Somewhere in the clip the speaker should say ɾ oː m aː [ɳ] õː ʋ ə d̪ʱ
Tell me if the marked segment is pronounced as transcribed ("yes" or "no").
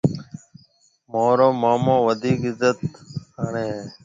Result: no